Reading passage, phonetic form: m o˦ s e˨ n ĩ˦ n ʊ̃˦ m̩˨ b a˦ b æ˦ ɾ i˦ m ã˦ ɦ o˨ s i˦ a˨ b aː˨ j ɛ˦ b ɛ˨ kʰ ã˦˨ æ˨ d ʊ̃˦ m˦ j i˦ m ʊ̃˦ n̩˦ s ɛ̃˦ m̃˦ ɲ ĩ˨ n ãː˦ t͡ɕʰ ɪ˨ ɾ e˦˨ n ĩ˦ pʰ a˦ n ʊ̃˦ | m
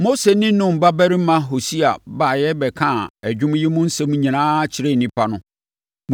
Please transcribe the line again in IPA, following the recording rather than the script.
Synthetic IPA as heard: m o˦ s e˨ n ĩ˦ n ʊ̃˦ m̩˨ b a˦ b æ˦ ɾ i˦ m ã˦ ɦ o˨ s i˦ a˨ b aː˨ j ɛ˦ b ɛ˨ kʰ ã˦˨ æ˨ d͡ʑᶣ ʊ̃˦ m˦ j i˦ m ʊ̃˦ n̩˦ s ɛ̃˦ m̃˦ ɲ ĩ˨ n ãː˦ t͡ɕʰ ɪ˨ ɾ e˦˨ n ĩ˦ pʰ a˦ n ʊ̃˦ | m